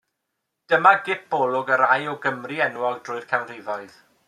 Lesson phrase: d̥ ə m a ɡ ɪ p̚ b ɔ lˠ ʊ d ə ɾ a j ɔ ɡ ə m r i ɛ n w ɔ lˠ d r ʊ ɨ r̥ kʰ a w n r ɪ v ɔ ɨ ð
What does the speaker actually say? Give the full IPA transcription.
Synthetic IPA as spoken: d̥ ə m a ɡ ɪ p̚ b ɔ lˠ ʊ ɡ ə ɾ a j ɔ ɡ ə m r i ɛ n w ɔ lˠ d r ʊ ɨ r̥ kʰ a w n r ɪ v ɔ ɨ ð